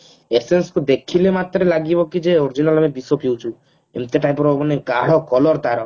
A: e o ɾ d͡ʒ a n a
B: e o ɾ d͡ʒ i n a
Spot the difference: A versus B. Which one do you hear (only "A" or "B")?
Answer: B